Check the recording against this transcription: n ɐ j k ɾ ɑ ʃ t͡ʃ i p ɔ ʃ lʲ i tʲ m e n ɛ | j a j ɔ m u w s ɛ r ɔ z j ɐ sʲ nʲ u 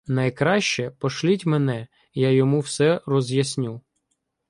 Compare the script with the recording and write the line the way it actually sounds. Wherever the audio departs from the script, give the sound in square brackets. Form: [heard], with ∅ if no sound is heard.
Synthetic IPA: n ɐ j k ɾ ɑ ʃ t͡ʃ [ɛ] p ɔ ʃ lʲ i tʲ m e n ɛ | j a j ɔ m u w s ɛ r ɔ z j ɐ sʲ nʲ u

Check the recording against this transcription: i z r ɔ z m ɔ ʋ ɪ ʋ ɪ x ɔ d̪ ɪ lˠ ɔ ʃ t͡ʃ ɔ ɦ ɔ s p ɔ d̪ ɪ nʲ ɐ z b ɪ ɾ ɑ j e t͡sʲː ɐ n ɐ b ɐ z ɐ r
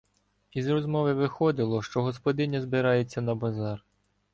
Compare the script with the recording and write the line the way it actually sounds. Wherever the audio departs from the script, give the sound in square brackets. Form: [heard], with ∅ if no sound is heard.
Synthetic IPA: i z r ɔ z m ɔ ʋ ɪ ʋ ɪ x ɔ d̪ ɪ lˠ ɔ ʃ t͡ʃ ɔ ɦ ɔ s p ɔ d̪ ɪ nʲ ɐ z b ɪ ɾ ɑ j e t͡sʲː ɐ n ɐ b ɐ z [ɑ] r

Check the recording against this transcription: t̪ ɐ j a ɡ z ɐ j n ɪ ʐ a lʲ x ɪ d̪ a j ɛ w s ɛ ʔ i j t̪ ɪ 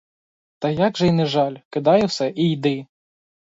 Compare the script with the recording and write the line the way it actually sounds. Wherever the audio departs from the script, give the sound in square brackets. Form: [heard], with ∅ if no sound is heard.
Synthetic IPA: t̪ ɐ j a ɡ [ʐ] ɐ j n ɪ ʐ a lʲ [k] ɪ d̪ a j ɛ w s ɛ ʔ i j [d̪] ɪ

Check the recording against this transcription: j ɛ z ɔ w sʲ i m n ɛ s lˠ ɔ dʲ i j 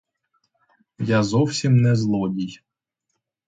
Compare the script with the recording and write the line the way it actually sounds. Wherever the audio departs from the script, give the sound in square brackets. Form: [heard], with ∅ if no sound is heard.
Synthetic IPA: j [a] z ɔ w sʲ i m n ɛ [z] lˠ ɔ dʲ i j

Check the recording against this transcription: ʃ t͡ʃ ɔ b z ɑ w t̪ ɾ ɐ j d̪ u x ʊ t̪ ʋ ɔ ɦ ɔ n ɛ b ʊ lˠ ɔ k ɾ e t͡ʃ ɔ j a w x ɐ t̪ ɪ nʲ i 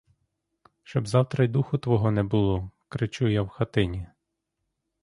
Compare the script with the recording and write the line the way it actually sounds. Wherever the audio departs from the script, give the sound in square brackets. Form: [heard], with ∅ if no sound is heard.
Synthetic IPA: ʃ t͡ʃ ɔ b z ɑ w t̪ ɾ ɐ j d̪ u x ʊ t̪ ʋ ɔ ɦ ɔ n ɛ b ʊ lˠ ɔ k ɾ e t͡ʃ [u] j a w x ɐ t̪ ɪ nʲ i

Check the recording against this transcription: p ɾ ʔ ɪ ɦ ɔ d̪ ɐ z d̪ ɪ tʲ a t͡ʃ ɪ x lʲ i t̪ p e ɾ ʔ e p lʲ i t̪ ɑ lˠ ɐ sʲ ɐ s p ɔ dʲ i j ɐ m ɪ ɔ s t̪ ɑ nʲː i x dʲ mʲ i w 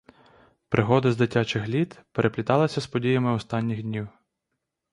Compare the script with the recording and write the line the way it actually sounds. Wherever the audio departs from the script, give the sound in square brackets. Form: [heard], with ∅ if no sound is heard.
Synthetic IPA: p ɾ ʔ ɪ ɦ ɔ d̪ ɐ z d̪ ɪ tʲ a t͡ʃ ɪ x lʲ i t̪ p e ɾ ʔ e p lʲ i t̪ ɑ lˠ ɐ sʲ ɐ s p ɔ dʲ i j ɐ m ɪ ɔ s t̪ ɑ nʲː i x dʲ [nʲ] i w

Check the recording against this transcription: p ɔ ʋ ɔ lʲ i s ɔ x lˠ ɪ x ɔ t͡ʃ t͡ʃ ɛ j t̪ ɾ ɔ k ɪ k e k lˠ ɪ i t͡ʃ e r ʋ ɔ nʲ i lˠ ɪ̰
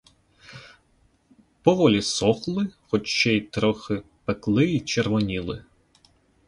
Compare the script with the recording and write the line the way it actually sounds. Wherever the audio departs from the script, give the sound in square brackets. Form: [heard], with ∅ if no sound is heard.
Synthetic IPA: p ɔ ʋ ɔ lʲ i s ɔ x lˠ ɪ x ɔ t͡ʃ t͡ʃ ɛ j t̪ ɾ ɔ [x] ɪ [p] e k lˠ ɪ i t͡ʃ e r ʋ ɔ nʲ i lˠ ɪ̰

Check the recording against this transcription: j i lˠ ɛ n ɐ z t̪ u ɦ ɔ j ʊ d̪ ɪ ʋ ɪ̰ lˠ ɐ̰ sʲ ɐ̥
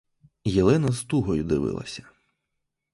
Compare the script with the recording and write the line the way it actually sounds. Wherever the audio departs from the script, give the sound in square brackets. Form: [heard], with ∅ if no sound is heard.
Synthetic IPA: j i lˠ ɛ n ɐ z t̪ u ɦ ɔ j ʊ d̪ ɪ ʋ ɪ̰ lˠ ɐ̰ sʲ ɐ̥

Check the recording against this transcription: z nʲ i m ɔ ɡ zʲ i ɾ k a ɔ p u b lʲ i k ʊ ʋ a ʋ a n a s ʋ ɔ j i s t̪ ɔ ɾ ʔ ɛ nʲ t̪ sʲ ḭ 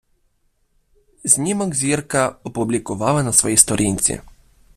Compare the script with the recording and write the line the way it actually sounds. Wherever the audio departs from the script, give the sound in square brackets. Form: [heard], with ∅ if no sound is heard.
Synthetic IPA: z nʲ i m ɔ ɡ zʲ i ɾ k a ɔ p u b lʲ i k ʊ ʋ a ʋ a n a s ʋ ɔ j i s t̪ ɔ ɾ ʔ [i] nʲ t̪ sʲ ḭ

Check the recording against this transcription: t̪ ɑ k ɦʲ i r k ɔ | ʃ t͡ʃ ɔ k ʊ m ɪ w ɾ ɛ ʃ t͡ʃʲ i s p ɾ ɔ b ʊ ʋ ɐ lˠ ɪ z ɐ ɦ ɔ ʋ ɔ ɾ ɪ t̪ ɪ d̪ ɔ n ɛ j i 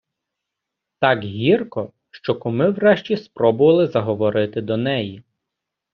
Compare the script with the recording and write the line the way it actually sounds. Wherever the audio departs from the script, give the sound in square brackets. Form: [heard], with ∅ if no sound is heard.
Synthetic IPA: t̪ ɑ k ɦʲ i r k ɔ | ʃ t͡ʃ ɔ k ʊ m ɪ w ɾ ɛ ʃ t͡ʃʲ i s p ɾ ɔ b ʊ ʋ ɐ lˠ ɪ z ɐ ɦ ɔ ʋ ɔ ɾ ɪ t̪ ɪ d̪ ɔ n ɛ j i

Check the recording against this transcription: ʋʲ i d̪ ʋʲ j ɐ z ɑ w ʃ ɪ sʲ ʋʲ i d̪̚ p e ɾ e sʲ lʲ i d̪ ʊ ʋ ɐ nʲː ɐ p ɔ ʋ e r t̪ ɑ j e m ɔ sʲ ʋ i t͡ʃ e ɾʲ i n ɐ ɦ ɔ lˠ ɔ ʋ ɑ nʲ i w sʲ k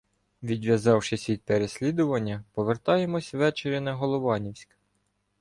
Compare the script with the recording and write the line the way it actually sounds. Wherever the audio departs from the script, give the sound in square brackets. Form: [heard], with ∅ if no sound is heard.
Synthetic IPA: ʋʲ i d̪ ʋʲ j ɐ z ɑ w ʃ ɪ sʲ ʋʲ i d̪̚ p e ɾ e sʲ lʲ i d̪ ʊ ʋ ɐ nʲː ɐ p ɔ ʋ e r t̪ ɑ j e m ɔ sʲ ʋ [ɛ] t͡ʃ e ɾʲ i n ɐ ɦ ɔ lˠ ɔ ʋ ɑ nʲ i w sʲ k

